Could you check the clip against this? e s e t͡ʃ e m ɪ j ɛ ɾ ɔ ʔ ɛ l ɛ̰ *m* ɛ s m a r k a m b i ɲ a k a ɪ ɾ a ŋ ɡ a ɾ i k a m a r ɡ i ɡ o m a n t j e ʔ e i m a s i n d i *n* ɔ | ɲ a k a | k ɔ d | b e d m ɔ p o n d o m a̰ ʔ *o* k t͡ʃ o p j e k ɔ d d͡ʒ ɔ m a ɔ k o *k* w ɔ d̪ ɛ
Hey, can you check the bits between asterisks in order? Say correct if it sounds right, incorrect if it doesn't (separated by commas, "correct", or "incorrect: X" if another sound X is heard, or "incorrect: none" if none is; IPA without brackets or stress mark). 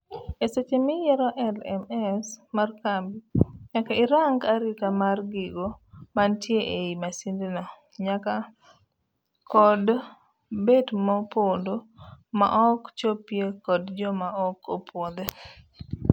correct, correct, incorrect: ɔ, incorrect: p